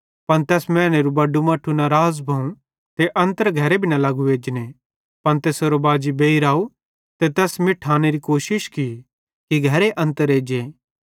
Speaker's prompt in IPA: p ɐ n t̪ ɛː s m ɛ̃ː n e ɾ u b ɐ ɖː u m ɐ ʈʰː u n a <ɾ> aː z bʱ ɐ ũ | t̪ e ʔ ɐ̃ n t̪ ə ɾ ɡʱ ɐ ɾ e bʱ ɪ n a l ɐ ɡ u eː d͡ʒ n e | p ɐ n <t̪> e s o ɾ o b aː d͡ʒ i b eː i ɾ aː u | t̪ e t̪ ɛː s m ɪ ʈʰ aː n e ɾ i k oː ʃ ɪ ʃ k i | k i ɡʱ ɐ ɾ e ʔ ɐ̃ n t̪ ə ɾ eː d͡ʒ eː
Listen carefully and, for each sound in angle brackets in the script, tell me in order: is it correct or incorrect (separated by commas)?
correct, correct